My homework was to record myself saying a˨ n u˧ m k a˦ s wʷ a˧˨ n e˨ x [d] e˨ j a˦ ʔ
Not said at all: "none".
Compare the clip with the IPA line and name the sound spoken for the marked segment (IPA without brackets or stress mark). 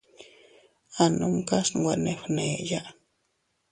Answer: n